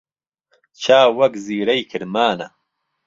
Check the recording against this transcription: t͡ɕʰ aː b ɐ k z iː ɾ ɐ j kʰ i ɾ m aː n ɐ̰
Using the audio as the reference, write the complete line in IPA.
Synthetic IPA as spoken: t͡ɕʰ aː w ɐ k z iː ɾ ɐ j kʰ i ɾ m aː n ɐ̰